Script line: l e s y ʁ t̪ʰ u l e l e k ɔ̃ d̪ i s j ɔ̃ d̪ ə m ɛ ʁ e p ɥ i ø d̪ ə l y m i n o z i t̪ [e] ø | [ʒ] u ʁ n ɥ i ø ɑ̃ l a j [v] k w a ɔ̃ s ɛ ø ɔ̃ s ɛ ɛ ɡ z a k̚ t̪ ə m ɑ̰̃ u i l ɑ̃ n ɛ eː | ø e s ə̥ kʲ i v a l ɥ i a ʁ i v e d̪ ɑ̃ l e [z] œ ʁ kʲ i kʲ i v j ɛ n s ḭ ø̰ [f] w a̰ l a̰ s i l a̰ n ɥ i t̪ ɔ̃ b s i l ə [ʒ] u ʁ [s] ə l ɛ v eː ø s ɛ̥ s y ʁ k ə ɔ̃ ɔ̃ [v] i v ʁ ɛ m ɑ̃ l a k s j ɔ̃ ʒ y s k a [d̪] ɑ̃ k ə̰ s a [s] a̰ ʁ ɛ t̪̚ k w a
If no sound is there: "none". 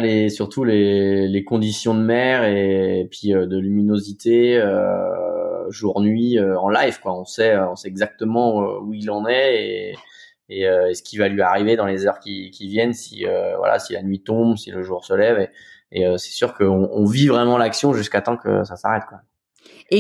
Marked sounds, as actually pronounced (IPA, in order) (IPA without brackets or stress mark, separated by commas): e, ʒ, v, z, v, ʒ, s, v, t̪, s